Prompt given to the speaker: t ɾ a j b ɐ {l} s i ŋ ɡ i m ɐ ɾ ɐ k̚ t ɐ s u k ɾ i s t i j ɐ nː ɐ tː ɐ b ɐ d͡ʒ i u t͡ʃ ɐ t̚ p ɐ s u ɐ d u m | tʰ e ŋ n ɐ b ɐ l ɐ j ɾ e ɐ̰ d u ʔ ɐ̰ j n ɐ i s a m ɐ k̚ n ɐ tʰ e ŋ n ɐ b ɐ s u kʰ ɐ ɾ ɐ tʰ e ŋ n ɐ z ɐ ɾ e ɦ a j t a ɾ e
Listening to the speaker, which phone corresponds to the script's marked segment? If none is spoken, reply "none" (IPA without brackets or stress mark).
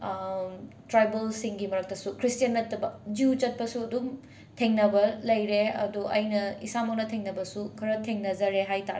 l